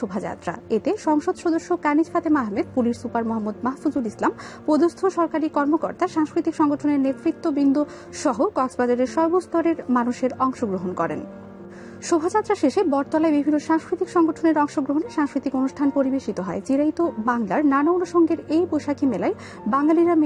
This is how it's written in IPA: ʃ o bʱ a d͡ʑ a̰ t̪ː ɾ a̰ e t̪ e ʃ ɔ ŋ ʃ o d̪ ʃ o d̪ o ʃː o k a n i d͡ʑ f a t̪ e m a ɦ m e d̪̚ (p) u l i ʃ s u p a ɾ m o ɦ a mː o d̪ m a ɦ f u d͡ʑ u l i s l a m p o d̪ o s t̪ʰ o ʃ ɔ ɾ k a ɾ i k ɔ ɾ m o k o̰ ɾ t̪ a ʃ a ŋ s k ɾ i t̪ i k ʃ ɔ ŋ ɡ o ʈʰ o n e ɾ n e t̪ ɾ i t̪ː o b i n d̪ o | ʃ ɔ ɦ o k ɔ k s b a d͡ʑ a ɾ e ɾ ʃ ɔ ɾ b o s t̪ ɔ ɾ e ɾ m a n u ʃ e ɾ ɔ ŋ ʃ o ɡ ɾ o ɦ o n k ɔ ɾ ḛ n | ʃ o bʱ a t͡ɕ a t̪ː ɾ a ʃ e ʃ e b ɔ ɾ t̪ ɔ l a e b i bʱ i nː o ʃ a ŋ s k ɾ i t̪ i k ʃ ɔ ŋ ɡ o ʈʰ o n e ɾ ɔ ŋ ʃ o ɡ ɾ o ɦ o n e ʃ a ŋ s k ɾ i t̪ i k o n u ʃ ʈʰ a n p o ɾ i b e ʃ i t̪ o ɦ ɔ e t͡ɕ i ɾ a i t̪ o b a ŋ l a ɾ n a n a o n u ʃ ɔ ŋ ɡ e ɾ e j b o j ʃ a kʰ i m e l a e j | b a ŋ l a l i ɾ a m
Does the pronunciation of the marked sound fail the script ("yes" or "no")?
no